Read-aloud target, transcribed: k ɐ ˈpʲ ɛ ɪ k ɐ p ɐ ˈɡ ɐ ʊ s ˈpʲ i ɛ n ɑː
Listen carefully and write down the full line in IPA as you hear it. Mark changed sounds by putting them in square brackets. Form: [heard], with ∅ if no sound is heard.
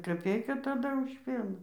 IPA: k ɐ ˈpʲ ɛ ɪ k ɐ [t] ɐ [ˈd] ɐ ʊ [ʃ] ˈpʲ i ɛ n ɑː